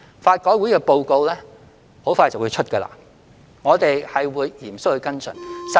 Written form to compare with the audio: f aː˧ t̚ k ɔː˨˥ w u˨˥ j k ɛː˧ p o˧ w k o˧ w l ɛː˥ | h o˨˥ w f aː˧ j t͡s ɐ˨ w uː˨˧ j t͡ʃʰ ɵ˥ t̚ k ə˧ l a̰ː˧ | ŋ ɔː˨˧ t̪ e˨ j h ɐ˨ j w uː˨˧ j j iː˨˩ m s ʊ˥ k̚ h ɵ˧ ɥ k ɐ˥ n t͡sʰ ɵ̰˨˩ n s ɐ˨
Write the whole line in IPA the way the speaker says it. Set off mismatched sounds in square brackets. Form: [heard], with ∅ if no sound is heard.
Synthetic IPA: f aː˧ t̚ k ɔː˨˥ w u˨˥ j k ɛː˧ p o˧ w k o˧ w l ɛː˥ | h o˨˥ w f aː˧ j t͡s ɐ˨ w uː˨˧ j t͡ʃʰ ɵ˥ t̚ k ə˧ l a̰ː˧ | ŋ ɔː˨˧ t̪ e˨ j h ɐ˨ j w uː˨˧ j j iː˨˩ m s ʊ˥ k̚ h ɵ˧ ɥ k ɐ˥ n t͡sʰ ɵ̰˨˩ n s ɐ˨